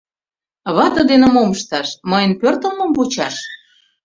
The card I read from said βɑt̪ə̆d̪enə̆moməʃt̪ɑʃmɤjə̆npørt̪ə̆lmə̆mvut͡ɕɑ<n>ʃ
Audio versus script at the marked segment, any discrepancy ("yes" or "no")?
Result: yes